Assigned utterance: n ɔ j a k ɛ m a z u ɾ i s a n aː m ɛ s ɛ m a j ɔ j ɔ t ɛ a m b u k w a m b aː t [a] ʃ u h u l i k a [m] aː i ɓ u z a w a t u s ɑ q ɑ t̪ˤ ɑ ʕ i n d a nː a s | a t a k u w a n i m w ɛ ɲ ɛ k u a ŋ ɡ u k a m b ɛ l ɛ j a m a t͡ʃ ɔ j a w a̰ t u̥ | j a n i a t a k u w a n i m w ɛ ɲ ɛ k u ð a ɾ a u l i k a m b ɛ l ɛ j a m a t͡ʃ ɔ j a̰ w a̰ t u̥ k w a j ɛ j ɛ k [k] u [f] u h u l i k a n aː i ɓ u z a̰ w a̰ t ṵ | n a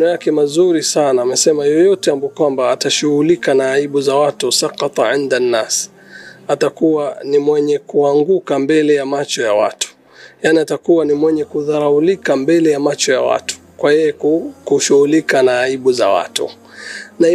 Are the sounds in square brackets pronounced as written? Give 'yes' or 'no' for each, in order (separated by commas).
yes, no, yes, no